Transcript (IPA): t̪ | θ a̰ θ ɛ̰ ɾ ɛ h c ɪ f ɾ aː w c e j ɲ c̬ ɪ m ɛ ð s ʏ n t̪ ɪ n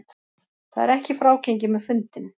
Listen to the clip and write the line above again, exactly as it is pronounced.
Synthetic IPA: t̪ | θ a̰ ð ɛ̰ ɾ ɛ h c ɪ f ɾ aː w c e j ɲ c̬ ɪ m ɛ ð f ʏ n t̪ ɪ n